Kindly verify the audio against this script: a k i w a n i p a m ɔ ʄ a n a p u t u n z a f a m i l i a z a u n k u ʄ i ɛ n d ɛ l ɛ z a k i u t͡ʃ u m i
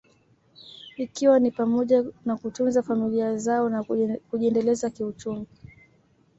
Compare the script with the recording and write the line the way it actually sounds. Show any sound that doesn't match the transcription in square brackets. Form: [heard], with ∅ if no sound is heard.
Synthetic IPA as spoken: [i] k i w a n i p a m ɔ ʄ a n a [k] u t u n z a f a m i l i a z a [ɔ] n k u ʄ i ɛ n d ɛ l ɛ z a k i u t͡ʃ u m i